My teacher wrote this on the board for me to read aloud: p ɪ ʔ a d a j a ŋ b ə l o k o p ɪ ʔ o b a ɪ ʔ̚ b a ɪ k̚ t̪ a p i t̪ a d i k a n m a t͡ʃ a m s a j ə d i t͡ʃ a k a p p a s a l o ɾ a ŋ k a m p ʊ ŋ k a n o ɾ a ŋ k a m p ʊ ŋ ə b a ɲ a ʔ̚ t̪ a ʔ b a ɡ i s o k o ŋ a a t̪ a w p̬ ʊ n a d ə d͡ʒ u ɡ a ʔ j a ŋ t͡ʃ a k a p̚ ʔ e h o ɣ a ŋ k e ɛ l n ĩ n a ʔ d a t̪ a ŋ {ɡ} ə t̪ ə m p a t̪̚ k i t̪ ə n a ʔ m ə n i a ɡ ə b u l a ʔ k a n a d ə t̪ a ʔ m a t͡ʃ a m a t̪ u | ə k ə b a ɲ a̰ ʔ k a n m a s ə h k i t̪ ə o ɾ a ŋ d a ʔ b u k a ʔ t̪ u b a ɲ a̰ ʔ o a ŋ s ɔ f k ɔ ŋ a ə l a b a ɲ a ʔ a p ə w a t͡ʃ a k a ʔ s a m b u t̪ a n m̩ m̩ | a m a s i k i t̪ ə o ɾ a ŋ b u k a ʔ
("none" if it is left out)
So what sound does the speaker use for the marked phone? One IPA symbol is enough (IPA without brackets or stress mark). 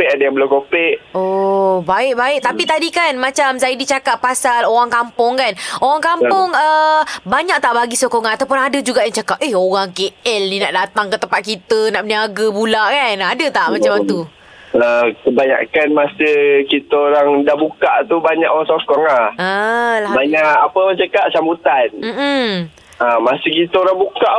k